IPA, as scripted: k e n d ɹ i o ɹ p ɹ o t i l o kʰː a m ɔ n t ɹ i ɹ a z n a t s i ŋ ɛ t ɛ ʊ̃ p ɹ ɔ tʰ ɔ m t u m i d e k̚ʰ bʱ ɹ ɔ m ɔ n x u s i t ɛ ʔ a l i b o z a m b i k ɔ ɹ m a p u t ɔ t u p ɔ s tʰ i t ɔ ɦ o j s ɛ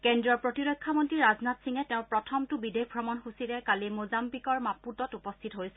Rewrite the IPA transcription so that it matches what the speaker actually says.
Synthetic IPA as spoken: k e n d ɹ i ɔ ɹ p ɹ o t i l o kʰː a m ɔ n t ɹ i ɹ a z n a t s i ŋ ɛ t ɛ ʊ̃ p ɹ ɔ tʰ ɔ m t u b i d e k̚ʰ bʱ ɹ ɔ m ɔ n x u s i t ɛ k a l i m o z a m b i k ɔ ɹ m a p u t ɔ t u p ɔ s tʰ i t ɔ ɦ o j s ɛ